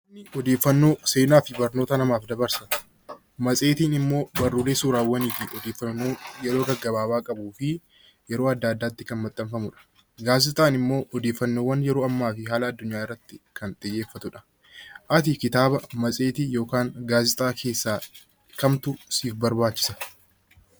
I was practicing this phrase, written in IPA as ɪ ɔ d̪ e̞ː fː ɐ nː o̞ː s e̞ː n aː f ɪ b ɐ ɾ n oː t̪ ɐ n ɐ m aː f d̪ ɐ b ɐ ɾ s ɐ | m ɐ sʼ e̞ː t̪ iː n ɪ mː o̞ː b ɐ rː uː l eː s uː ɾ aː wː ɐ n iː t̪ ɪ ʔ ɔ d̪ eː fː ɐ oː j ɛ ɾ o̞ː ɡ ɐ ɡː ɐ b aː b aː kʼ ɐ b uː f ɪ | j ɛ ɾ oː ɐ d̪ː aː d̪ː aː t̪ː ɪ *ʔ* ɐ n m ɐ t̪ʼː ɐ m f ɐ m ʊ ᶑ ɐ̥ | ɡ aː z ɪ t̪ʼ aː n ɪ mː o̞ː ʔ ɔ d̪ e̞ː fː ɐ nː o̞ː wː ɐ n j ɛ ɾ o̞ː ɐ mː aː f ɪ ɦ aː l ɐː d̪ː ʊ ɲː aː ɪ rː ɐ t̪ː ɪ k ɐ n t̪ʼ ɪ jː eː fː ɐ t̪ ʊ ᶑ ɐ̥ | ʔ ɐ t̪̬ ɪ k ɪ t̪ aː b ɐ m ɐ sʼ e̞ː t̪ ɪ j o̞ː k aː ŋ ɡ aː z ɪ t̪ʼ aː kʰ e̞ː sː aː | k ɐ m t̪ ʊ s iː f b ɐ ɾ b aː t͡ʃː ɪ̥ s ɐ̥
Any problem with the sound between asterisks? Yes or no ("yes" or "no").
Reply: yes